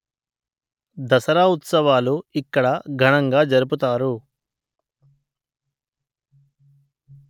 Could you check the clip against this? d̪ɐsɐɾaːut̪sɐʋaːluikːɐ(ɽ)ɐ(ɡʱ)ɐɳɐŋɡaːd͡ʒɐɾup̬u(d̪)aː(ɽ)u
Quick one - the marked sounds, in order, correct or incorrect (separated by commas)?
correct, correct, incorrect, incorrect